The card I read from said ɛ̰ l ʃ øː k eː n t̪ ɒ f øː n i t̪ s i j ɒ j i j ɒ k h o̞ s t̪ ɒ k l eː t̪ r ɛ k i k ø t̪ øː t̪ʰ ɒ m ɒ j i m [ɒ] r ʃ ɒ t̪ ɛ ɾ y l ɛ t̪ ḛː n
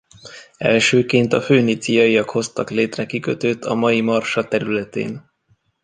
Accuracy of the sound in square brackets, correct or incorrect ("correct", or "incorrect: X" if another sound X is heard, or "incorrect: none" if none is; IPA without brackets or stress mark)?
correct